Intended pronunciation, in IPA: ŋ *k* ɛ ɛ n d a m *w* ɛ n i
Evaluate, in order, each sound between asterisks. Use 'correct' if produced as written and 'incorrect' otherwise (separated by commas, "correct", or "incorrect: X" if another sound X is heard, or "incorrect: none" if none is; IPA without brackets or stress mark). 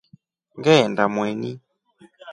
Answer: incorrect: ɡ, correct